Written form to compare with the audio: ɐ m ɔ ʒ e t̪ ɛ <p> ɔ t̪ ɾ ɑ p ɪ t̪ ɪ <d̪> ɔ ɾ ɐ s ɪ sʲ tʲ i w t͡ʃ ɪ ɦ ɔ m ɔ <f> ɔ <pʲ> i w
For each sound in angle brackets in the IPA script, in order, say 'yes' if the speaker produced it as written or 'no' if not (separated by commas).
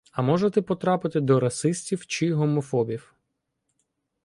yes, yes, yes, no